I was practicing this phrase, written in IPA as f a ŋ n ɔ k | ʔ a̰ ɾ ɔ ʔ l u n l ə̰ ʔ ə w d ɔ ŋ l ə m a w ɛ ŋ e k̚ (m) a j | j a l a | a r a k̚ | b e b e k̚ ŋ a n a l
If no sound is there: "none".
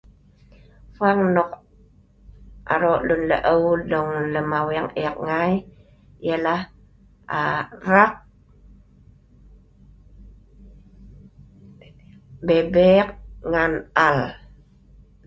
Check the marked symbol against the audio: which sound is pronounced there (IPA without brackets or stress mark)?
ŋ